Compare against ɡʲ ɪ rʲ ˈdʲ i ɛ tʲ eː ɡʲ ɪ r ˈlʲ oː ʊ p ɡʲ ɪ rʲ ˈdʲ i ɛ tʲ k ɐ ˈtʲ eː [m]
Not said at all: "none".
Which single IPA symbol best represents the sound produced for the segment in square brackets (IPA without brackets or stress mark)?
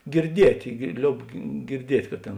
n